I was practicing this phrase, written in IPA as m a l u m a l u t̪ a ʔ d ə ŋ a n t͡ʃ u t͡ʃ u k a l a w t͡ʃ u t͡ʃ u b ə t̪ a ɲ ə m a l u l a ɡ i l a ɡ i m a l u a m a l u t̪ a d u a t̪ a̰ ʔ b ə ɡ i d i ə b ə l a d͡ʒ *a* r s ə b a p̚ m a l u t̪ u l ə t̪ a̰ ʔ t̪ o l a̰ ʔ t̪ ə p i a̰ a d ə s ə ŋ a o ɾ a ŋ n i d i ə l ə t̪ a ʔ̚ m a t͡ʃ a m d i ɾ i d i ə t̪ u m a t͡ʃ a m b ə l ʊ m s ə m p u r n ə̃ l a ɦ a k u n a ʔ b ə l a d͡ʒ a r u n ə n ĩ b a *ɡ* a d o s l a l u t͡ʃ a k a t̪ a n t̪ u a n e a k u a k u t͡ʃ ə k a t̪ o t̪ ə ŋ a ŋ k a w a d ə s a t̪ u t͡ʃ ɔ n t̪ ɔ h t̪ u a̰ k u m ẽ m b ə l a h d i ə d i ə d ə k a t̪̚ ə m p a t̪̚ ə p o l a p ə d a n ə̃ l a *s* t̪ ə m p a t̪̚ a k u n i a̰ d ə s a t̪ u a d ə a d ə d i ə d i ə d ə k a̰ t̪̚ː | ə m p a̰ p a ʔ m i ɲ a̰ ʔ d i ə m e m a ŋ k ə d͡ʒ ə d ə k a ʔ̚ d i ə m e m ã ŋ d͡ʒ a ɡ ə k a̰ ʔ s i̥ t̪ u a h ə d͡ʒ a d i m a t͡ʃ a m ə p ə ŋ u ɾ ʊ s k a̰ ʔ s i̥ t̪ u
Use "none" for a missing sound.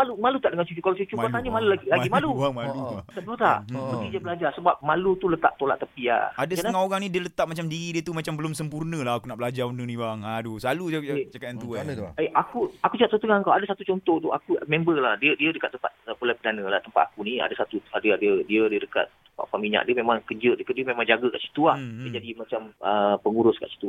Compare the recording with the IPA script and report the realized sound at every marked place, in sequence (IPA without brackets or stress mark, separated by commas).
a, ŋ, h